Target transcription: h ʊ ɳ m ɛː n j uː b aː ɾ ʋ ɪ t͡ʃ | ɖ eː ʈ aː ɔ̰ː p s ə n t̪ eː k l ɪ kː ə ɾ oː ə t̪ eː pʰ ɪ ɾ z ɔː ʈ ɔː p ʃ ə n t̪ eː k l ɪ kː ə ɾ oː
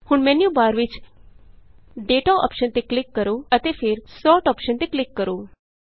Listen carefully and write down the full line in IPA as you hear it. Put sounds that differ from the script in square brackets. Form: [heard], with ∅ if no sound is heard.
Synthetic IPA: h ʊ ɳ m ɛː n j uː b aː ɾ ʋ ɪ t͡ʃ | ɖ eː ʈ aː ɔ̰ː p [ʃ] ə n t̪ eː k l ɪ kː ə ɾ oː ə t̪ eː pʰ ɪ ɾ [s] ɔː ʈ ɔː p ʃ ə n t̪ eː k l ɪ kː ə ɾ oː